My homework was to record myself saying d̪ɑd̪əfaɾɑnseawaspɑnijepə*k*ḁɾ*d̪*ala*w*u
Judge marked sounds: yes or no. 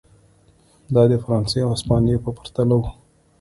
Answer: no, no, yes

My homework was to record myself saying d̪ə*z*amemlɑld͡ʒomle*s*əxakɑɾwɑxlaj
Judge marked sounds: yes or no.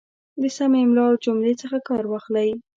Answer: no, no

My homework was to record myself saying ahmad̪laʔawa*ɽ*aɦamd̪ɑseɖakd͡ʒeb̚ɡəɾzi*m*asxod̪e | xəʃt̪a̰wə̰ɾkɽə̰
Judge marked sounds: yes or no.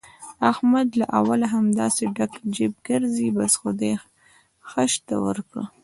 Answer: no, no

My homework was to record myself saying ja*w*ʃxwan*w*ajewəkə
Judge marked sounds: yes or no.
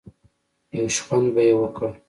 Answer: yes, no

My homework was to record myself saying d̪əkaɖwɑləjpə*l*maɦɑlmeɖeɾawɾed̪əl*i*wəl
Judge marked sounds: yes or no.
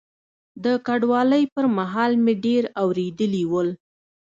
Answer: no, yes

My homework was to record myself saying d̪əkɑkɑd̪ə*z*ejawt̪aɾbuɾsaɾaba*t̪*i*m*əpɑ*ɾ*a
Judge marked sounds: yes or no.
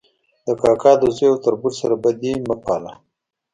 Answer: yes, no, yes, no

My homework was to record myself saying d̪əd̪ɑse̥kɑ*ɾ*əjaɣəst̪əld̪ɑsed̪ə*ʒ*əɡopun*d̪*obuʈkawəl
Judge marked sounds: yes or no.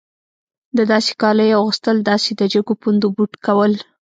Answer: no, no, yes

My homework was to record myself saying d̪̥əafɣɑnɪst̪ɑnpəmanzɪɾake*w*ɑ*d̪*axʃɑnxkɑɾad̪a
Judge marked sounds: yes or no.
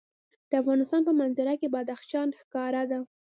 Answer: no, yes

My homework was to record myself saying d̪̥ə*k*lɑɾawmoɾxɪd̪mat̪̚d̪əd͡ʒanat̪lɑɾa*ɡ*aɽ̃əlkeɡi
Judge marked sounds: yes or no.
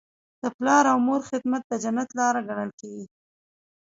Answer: no, yes

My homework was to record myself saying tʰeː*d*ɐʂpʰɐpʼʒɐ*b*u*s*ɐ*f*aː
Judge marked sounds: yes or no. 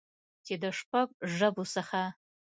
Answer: yes, yes, yes, no

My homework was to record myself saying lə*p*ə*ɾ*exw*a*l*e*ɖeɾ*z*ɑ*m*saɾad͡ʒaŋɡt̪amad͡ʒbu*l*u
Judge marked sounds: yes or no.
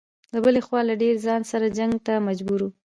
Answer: no, no, no, no, yes, no, no

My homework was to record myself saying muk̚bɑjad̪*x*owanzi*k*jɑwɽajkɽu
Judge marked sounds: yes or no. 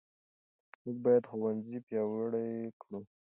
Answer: yes, no

